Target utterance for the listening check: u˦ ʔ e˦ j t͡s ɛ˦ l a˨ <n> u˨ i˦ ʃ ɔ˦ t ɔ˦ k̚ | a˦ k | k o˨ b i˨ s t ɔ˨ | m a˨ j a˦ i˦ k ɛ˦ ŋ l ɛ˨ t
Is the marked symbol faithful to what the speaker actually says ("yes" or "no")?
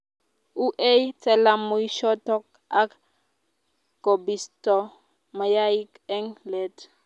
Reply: no